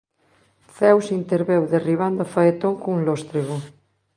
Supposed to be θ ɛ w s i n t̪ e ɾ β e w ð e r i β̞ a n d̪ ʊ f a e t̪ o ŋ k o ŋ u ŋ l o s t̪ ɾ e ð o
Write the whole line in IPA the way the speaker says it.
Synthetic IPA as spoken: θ ɛ w s i n t̪ e ɾ β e w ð e r i β̞ a n d̪ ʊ f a e t̪ o ŋ k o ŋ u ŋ l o s t̪ ɾ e ɣ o